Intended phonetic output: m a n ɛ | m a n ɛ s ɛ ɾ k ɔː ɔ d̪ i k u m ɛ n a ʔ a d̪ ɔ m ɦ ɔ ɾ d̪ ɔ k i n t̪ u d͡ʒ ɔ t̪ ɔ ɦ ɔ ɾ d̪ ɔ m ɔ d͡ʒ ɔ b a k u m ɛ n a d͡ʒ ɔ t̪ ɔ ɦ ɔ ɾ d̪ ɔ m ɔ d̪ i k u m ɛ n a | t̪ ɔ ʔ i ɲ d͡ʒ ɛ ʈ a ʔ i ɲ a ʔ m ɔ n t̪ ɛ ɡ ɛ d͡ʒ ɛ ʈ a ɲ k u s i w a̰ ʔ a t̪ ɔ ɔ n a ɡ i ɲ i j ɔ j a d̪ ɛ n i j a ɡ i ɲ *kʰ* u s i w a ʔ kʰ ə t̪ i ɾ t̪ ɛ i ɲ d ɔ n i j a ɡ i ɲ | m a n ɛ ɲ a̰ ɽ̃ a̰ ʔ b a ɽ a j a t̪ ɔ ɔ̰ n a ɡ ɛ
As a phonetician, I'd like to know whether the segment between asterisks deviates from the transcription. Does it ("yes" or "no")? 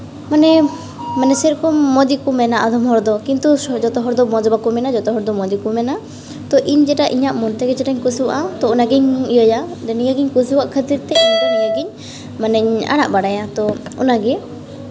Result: yes